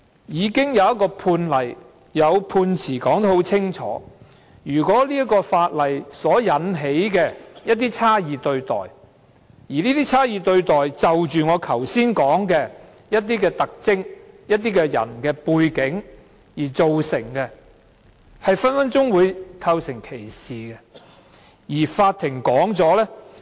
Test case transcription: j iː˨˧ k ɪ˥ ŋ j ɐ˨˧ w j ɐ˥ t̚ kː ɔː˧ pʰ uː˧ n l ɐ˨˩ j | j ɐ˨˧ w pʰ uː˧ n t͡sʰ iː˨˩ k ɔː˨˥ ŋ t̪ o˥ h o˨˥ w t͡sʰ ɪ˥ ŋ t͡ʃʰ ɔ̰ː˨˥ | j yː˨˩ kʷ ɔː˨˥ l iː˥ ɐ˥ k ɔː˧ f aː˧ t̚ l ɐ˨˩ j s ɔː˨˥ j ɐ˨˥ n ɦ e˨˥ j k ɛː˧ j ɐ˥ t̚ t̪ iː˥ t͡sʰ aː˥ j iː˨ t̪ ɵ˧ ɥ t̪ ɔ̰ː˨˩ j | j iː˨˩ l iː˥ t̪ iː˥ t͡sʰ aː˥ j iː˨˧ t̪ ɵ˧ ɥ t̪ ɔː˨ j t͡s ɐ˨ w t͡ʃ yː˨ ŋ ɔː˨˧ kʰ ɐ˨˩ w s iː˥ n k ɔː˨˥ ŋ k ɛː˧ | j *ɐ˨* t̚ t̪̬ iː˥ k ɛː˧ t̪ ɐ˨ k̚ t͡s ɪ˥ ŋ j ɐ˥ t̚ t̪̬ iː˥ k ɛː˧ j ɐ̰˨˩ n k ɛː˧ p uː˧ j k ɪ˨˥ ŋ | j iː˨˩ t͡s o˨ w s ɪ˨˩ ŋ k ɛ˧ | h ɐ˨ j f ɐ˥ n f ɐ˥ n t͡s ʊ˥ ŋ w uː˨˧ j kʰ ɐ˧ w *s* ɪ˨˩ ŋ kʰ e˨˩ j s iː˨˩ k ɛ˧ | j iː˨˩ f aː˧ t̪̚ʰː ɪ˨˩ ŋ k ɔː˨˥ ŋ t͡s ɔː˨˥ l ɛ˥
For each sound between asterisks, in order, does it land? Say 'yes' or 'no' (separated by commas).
no, yes